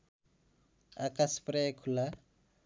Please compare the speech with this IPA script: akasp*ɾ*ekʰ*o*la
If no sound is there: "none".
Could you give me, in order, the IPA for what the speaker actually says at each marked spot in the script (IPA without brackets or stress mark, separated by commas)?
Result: ɾ, u